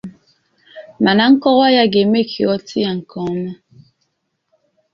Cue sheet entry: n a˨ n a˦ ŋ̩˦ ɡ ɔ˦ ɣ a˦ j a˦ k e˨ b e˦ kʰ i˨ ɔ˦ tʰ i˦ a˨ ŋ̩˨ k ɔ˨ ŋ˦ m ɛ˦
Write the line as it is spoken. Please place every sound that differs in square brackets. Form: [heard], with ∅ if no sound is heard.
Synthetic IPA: [m] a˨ n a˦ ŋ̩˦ [k] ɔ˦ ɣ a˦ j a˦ [ɡ] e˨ [m] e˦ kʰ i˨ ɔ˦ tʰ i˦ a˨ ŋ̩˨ k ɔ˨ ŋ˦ m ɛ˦